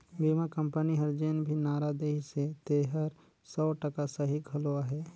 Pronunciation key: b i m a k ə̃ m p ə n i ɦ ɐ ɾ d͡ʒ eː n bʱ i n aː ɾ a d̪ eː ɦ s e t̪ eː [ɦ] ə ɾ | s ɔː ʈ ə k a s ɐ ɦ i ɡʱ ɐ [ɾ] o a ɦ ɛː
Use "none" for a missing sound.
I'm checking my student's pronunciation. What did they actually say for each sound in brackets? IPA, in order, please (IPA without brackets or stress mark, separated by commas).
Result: ɦ, l